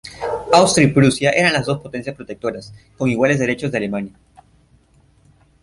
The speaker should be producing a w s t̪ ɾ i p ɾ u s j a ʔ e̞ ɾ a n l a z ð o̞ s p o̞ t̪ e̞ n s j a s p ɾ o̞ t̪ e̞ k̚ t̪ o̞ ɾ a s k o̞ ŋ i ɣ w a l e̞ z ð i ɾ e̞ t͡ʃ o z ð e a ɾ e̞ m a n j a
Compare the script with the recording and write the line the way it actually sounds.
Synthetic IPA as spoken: a w s t̪ ɾ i p ɾ u s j a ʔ e̞ ɾ a n l a z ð o̞ s p o̞ t̪ e̞ n s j a s p ɾ o̞ t̪ e̞ k̚ t̪ o̞ ɾ a s k o̞ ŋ i ɣ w a l e̞ z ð e ɾ e̞ t͡ʃ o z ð e a l e̞ m a n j a